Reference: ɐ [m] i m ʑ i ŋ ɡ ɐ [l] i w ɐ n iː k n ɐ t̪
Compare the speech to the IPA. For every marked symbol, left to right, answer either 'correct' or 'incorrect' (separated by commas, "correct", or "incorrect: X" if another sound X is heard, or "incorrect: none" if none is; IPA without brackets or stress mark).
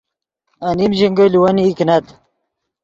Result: incorrect: n, correct